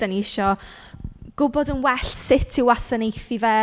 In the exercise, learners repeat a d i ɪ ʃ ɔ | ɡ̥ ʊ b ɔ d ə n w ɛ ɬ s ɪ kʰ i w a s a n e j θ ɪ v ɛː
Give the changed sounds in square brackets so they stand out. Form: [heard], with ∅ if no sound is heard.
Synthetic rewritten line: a [n] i ɪ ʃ ɔ | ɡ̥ ʊ b ɔ d ə n w ɛ ɬ s ɪ [tʰ] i w a s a n e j θ [i] v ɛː